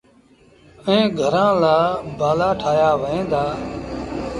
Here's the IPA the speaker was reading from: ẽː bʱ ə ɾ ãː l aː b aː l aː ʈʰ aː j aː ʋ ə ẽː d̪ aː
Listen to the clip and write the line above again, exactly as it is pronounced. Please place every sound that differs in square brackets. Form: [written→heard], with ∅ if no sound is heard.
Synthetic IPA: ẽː [bʱ→ɡʱ] ə ɾ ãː l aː b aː l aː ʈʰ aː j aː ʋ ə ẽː d̪ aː